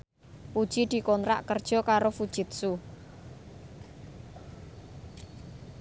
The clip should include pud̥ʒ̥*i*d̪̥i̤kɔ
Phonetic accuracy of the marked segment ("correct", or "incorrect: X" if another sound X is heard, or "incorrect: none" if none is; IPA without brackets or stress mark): correct